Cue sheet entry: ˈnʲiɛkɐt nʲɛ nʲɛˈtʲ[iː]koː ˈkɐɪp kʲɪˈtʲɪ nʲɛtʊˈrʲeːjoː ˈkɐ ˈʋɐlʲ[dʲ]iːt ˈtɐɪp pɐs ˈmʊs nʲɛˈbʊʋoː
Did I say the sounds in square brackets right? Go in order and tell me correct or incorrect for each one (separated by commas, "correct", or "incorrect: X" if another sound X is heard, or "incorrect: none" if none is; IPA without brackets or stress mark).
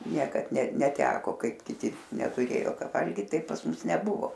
incorrect: æː, incorrect: ɡʲ